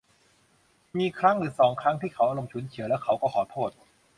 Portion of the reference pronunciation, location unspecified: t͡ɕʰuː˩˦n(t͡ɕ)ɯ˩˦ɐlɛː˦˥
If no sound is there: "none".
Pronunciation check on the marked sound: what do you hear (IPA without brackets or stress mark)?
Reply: t͡ɕʰ